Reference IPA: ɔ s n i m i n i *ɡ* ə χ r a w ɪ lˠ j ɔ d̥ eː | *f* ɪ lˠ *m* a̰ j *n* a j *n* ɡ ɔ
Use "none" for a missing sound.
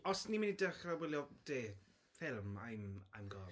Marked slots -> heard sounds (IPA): d, f, m, m, m

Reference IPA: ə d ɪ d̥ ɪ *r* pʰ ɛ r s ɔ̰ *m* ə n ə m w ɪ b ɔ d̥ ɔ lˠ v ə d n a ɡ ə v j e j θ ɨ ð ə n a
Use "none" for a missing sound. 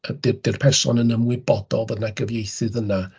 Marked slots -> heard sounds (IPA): r, n

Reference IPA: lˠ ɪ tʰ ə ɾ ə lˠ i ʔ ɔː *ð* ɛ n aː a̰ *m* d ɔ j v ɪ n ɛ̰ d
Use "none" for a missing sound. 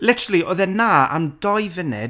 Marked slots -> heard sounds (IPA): ð, m

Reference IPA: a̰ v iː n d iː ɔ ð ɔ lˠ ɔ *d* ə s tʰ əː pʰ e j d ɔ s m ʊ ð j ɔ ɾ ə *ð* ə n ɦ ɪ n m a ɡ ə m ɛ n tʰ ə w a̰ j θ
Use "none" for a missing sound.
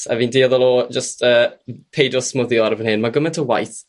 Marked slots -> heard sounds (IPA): d͡ʒ, v

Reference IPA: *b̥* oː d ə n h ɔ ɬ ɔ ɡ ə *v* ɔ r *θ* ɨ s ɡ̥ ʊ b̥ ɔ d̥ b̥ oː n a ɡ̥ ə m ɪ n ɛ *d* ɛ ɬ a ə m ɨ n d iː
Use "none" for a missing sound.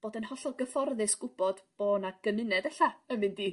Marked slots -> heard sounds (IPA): b̥, f, ð, d

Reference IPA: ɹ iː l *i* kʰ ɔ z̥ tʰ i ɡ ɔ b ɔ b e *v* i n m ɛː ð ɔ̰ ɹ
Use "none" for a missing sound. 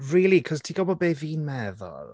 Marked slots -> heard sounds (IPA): i, v

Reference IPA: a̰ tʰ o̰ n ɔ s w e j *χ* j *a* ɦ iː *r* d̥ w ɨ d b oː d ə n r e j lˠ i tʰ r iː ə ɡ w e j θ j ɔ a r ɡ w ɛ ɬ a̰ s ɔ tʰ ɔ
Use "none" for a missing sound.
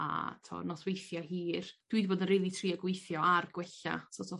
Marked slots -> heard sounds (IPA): θ, a, r

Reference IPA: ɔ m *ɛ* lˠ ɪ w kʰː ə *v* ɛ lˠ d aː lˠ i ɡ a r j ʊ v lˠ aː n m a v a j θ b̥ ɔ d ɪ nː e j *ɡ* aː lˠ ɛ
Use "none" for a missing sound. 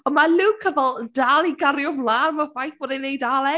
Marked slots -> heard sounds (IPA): a, v, d

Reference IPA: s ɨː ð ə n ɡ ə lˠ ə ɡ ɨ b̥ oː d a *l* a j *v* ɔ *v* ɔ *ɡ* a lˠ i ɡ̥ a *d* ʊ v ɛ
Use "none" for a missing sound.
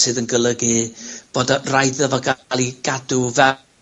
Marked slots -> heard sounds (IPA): r, ð, v, ɡ, d

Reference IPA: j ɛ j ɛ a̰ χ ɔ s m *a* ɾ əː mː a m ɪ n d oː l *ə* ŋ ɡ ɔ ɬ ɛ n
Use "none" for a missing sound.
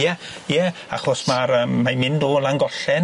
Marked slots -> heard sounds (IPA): a, a

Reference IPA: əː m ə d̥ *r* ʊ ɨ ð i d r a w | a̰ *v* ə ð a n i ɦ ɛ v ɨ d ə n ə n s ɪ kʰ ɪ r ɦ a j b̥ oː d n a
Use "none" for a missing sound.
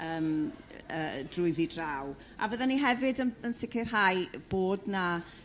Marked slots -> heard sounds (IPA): r, v

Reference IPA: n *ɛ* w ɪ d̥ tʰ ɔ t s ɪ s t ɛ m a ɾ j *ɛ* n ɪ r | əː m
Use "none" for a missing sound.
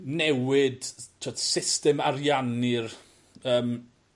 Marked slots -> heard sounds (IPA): ɛ, a

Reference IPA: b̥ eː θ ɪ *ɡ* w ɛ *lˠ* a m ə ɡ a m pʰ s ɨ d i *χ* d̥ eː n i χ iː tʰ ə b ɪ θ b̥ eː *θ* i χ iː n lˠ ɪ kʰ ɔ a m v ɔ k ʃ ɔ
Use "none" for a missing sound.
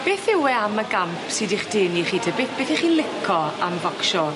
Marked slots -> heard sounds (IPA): none, none, χ, θ

